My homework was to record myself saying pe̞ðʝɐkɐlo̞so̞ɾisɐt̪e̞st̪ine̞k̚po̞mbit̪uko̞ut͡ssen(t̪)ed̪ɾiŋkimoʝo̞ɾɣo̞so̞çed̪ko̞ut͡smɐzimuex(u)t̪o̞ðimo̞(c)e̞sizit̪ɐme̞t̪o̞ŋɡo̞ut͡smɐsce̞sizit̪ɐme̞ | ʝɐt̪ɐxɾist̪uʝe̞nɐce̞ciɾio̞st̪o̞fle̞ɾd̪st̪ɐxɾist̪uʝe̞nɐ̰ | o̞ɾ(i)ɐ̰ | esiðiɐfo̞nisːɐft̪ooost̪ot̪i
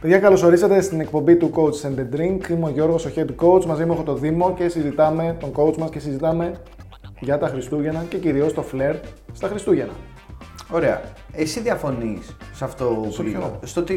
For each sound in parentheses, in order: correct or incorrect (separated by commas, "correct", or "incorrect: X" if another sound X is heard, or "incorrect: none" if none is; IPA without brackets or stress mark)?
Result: incorrect: d̪, incorrect: o, correct, incorrect: e